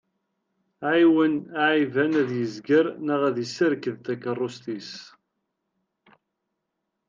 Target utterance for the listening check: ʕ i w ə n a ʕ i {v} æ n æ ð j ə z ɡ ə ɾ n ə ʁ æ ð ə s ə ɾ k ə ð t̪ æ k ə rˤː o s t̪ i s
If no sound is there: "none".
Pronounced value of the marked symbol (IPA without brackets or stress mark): v